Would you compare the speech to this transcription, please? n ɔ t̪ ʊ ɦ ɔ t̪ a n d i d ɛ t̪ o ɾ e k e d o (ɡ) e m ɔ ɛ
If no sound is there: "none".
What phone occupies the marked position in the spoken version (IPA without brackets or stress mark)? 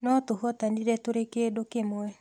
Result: k